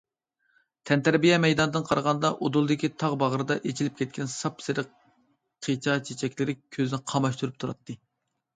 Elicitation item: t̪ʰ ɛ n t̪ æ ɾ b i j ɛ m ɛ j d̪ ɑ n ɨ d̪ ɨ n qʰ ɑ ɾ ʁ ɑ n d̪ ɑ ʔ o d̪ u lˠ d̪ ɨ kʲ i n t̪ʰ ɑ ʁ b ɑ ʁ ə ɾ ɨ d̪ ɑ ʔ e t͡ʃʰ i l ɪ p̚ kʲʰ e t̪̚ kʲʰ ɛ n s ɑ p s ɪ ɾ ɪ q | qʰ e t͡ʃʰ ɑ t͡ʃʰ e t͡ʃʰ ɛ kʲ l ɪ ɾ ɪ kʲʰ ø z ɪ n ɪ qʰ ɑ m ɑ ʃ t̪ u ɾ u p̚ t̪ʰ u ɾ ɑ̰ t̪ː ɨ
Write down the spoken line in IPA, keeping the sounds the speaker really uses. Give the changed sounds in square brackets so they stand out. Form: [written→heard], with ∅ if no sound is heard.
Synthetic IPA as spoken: t̪ʰ ɛ n t̪ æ ɾ b i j ɛ m ɛ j d̪ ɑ n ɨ d̪ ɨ n qʰ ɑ ɾ ʁ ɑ n d̪ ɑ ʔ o d̪ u lˠ d̪ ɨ kʲ i [n→∅] t̪ʰ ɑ ʁ b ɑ ʁ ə ɾ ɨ d̪ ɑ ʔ e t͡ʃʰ i l ɪ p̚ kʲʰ [e→ɛ] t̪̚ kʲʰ ɛ n s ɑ p s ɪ ɾ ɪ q | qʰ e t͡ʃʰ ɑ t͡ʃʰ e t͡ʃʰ ɛ kʲ l ɪ ɾ ɪ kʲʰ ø z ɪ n ɪ qʰ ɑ m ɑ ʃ t̪ u ɾ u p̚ t̪ʰ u ɾ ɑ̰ t̪ː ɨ